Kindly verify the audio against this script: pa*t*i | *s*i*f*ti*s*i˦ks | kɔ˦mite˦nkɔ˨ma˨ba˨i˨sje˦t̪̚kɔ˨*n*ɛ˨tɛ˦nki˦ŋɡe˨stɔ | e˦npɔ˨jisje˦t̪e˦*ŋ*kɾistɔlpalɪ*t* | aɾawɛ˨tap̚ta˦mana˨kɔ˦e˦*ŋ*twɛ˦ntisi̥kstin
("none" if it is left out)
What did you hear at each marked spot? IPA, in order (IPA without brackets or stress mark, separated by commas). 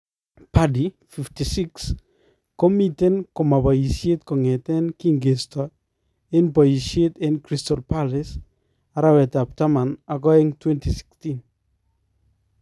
d, f, f, s, ŋ, n, s, ŋ